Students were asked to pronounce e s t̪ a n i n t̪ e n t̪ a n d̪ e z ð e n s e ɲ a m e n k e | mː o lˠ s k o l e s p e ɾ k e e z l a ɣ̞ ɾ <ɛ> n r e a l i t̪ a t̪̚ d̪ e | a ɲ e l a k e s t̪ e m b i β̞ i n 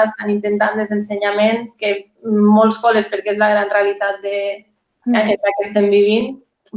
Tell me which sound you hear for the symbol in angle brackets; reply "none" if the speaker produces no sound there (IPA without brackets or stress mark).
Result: a